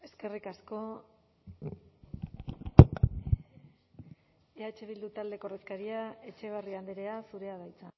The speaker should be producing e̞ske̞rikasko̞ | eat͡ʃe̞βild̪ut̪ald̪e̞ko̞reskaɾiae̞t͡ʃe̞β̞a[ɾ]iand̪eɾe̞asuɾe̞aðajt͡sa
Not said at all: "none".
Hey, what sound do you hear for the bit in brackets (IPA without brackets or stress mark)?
r